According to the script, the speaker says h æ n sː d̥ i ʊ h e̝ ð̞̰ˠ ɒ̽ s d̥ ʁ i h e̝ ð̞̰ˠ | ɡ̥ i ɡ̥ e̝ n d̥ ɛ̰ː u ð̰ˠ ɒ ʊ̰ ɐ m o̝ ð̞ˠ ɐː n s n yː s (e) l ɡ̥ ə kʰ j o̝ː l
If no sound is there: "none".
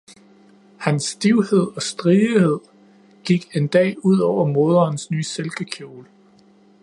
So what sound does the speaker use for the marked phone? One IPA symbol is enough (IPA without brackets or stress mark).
e